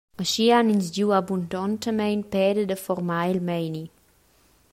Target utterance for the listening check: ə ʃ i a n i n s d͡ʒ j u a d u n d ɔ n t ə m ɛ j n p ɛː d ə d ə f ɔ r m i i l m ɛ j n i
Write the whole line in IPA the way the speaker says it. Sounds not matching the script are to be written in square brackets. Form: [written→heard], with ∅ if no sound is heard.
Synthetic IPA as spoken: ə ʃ i a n i n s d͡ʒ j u a [d→b] u n d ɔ n t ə m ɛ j n p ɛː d ə d ə f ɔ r m [i→a] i l m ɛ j n i